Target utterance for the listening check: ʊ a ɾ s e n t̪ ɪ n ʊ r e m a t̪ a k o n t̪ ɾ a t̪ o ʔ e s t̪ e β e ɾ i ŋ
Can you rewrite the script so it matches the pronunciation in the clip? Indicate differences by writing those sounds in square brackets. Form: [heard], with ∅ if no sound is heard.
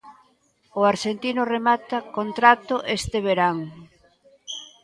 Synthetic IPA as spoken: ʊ a ɾ [ʃ] e n t̪ [i] n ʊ r e m a t̪ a k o n t̪ ɾ a t̪ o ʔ e s t̪ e β e ɾ [a] ŋ